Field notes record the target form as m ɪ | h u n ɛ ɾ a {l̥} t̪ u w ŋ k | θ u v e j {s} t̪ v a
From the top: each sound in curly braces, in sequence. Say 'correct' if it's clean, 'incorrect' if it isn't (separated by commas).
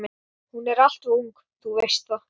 correct, correct